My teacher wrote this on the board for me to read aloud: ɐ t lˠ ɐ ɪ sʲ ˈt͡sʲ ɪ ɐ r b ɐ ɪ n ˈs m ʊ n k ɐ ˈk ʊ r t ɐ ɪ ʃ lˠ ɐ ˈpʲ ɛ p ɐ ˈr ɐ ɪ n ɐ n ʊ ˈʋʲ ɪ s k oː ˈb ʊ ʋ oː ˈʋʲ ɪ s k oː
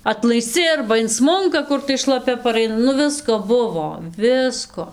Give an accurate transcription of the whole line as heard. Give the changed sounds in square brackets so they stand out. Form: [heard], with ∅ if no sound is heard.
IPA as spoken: ɐ t lˠ ɐ ɪ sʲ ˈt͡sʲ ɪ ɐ r b ɐ ɪ n ˈs m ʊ [ŋ] k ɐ ˈk ʊ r t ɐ ɪ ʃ lˠ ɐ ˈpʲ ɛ p ɐ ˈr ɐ ɪ n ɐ n ʊ ˈʋʲ ɪ s k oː ˈb ʊ ʋ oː ˈʋʲ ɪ s k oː